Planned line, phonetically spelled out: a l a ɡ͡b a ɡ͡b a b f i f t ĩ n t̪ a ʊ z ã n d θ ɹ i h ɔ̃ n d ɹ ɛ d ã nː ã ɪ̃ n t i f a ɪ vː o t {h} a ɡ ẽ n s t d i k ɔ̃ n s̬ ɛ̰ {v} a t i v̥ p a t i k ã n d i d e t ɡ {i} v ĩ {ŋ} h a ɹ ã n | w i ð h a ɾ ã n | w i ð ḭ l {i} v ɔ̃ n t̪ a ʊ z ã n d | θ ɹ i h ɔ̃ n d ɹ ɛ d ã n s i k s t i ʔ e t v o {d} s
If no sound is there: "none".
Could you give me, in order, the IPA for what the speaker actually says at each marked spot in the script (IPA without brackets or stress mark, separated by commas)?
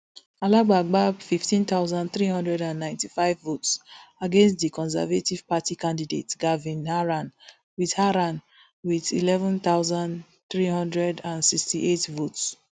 s, v, a, n, ɛ, t